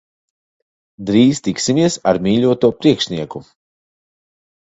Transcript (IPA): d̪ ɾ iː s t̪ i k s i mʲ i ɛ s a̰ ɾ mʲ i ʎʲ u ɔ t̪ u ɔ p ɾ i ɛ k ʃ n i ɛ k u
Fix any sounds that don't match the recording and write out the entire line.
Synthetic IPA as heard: d̪ ɾ iː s t̪ i k s i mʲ i ɛ s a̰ ɾ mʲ iː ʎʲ u ɔ t̪ u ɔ p ɾ i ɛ k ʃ n i ɛ k u